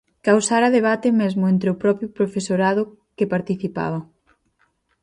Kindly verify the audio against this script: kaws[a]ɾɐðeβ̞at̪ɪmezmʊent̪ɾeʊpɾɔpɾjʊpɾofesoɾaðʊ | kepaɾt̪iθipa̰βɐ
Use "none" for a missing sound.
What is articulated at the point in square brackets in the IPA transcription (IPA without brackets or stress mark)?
a